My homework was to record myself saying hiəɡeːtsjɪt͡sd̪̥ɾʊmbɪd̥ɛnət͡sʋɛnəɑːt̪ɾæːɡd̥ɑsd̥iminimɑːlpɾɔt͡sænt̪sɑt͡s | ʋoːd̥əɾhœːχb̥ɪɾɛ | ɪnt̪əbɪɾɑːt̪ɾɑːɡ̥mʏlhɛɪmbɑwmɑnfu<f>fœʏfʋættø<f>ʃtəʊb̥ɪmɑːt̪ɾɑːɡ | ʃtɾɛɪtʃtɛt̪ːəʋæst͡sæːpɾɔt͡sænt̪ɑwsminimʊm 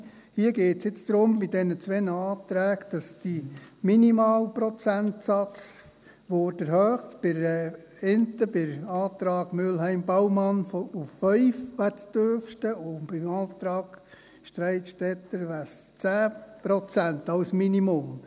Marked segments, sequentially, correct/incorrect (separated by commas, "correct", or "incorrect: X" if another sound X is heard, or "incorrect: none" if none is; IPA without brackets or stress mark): correct, correct